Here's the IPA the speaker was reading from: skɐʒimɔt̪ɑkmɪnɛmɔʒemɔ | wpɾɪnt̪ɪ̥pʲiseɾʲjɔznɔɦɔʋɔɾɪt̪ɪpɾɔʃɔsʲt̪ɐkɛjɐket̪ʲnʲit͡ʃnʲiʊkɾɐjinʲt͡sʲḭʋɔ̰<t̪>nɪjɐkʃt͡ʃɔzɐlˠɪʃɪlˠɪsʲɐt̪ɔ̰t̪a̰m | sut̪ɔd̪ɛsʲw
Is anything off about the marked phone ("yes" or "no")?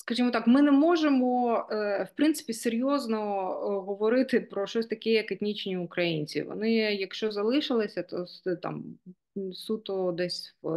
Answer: yes